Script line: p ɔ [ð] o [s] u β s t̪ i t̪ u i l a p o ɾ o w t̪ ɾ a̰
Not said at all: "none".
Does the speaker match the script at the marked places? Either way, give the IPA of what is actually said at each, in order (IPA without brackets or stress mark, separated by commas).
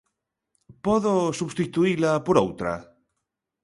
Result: ð, s